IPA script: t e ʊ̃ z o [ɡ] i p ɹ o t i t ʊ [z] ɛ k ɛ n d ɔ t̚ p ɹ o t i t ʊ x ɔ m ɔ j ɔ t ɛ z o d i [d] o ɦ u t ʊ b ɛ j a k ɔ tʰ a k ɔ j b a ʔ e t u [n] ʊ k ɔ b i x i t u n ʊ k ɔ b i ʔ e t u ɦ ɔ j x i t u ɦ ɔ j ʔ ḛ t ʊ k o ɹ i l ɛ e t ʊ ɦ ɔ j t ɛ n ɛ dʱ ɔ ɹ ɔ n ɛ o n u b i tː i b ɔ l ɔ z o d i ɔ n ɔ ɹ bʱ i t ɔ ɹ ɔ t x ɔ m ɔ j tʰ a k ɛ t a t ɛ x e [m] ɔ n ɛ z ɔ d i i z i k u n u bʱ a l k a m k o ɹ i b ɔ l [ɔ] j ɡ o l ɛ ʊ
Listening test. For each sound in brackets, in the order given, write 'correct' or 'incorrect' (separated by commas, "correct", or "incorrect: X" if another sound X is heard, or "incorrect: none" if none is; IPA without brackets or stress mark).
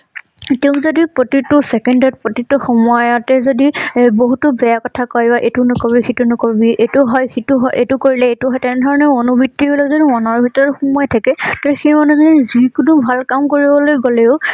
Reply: incorrect: d, incorrect: s, incorrect: b, correct, correct, incorrect: o